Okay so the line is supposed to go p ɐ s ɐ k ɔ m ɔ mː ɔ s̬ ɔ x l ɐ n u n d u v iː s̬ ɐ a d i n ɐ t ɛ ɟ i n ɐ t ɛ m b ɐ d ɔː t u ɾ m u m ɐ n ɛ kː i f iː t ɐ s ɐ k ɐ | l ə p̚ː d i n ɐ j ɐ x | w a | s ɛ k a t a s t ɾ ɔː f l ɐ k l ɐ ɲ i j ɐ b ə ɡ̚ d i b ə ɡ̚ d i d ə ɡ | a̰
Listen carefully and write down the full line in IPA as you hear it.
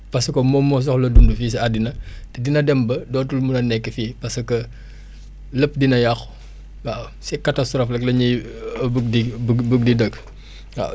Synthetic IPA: p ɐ s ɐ k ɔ m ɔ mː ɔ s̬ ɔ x l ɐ d u n d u f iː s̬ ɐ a d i n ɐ t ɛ d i n ɐ d ɛ m b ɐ d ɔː t u l m u n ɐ n ɛ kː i f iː p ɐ s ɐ k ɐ | l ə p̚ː d i n ɐ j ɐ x | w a | s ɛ k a t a s t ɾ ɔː f l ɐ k l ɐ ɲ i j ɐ b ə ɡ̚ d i b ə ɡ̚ d i d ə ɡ | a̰

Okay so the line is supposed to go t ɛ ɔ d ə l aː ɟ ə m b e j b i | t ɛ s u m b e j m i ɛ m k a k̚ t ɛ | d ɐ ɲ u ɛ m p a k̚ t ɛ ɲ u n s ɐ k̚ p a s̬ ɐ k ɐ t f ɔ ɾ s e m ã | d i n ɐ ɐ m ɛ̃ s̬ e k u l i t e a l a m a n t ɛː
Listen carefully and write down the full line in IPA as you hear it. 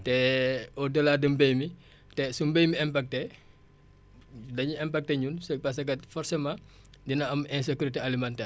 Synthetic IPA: t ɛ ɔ d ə l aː d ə m b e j m i | t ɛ s u m b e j m i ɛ m p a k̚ t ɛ | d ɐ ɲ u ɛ m p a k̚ t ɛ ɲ u n s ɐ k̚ p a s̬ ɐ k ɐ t f ɔ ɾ s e m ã | d i n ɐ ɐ m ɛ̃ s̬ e k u ɾ i t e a l i m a n t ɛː

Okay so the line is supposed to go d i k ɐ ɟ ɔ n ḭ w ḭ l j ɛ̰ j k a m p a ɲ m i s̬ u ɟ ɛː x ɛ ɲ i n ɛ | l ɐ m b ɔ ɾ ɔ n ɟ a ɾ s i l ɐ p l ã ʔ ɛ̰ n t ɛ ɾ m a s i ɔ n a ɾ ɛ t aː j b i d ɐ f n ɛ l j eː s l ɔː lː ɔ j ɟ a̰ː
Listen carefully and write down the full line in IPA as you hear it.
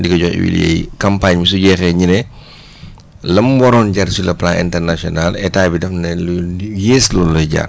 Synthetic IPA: d i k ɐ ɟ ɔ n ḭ w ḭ l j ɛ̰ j k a m p a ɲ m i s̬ u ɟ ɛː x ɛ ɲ i n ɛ | l ɐ m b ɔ ɾ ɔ n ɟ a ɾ s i l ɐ p l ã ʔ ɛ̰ n t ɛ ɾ n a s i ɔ n a l ɛ t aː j b i d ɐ f n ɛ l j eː s l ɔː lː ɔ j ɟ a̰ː

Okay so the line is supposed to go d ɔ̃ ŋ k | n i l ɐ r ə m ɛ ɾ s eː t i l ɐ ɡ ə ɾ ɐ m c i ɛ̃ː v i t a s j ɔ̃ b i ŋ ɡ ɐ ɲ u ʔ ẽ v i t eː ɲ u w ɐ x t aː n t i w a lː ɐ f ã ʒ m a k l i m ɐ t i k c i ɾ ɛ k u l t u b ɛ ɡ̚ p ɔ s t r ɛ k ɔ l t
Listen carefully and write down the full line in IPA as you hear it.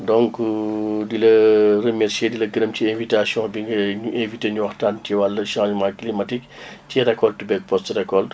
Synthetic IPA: d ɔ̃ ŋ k | d i l ɐ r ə m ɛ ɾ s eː d i l ɐ ɡ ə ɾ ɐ m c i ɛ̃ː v i t a s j ɔ̃ b i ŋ ɡ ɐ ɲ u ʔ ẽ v i t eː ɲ u w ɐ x t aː n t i w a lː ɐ ʃ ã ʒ m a k l i m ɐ t i k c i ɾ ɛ k ɔ l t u b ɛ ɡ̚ p ɔ s t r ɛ k ɔ l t

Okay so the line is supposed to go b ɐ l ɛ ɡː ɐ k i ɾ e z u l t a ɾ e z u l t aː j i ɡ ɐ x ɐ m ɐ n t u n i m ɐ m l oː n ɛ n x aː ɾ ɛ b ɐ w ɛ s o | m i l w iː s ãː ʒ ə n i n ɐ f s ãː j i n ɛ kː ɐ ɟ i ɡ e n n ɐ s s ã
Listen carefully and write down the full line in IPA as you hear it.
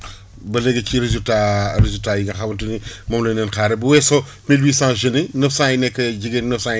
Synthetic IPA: b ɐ l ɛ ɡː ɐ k i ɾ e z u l t a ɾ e z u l t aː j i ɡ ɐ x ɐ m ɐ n t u n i m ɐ m l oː n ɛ n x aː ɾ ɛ b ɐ w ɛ s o | m i l w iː s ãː ʒ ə n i n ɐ f s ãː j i n ɛ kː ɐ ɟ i ɡ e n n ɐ f s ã

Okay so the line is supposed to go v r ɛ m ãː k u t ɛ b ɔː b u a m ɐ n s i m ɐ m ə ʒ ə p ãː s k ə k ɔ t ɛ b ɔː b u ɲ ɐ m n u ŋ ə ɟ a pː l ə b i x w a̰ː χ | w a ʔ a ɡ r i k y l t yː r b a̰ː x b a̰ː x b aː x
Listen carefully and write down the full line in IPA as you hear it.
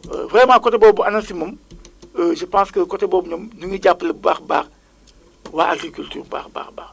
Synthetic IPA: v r ɛ m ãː k ɔ t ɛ b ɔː b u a n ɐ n s i m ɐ m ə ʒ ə p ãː s k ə k ɔ t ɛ b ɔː b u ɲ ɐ m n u ŋ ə ɟ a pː l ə b a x b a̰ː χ | w a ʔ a ɡ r i k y l t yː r b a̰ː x b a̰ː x b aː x

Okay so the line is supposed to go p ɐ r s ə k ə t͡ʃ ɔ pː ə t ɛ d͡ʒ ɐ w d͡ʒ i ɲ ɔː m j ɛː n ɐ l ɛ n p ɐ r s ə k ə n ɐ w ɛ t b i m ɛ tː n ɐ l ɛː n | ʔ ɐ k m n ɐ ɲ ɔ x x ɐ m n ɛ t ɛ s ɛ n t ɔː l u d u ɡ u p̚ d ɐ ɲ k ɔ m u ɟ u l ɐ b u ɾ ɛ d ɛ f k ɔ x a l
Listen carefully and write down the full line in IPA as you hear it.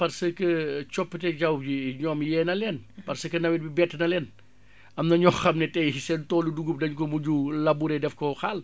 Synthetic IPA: p ɐ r s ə k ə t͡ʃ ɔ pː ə t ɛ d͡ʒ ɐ w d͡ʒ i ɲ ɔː m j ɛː n ɐ l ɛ n p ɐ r s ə k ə n ɐ w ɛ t b i b ɛ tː n ɐ l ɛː n | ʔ ɐ m n ɐ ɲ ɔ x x ɐ m n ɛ t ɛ s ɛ n t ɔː l u d u ɡ u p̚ d ɐ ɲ k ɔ m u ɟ u l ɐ b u ɾ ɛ d ɛ f k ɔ x a l

